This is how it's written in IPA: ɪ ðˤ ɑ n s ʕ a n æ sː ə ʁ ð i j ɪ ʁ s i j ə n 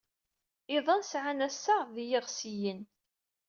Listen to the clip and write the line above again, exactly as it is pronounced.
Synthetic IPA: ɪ ðˤ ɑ n s ʕ a n æ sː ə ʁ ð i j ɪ ʁ s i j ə n